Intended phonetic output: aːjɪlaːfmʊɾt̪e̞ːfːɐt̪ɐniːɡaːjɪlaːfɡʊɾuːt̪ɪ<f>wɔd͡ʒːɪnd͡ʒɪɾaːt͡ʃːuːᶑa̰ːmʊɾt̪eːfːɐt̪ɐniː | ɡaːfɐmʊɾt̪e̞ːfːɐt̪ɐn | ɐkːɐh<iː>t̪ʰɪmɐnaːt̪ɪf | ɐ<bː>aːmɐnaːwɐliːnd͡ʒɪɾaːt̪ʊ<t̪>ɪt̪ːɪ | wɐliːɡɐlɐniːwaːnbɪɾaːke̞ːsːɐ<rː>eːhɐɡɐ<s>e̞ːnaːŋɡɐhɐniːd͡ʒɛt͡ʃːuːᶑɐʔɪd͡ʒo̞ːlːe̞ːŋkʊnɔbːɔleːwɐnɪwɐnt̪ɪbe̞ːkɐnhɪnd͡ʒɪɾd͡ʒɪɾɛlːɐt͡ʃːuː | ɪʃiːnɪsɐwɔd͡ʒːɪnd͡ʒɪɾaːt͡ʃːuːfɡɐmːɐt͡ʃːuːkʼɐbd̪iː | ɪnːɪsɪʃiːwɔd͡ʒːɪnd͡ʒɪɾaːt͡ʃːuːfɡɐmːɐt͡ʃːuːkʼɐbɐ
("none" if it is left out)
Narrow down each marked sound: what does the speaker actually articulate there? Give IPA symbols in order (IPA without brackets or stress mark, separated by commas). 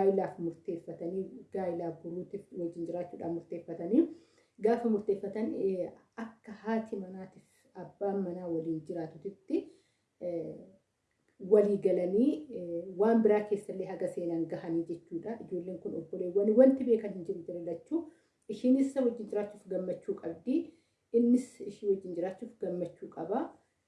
f, aː, bː, t̪, lː, s